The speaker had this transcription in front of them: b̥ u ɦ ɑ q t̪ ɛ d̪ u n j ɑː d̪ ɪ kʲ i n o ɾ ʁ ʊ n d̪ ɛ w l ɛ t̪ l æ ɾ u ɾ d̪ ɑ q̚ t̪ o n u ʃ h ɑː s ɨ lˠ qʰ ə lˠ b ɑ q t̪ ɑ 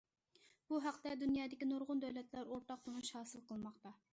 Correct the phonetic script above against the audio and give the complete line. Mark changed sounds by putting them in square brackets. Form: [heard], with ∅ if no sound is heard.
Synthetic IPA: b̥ u ɦ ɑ q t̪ ɛ d̪ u n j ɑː d̪ ɪ kʲ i n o ɾ ʁ ʊ n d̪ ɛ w l ɛ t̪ l æ ɾ [o] ɾ [t̪] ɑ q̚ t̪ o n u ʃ h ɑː s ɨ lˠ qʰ ə lˠ [m] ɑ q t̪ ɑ